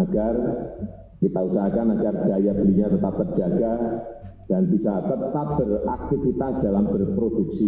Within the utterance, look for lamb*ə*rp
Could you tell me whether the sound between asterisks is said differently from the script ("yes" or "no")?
no